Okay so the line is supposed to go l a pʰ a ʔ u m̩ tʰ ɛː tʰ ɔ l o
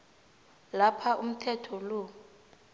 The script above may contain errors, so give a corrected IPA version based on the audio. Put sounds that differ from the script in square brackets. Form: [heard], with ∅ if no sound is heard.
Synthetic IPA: l a pʰ a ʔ u m̩ tʰ [ɛ] tʰ ɔ l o

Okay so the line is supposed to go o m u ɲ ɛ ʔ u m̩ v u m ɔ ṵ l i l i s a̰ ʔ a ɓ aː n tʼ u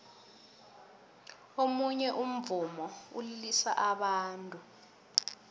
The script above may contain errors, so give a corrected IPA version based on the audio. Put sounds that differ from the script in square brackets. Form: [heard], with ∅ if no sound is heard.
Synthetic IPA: o m u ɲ ɛ ʔ u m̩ v u m ɔ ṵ l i l i s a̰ ʔ a ɓ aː n tʼ u

